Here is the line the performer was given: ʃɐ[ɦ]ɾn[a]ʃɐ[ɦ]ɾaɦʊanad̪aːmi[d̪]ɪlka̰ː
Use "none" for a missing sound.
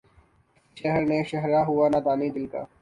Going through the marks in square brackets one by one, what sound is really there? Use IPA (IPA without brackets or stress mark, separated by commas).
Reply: ɦ, e, ɦ, d̪